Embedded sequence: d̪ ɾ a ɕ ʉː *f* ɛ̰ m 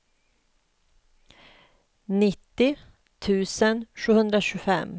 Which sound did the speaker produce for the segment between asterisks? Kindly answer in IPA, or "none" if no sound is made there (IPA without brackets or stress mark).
f